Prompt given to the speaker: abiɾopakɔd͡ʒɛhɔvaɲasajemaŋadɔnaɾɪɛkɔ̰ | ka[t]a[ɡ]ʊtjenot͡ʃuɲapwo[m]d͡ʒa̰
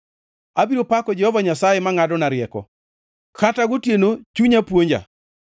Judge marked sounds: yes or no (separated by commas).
yes, yes, no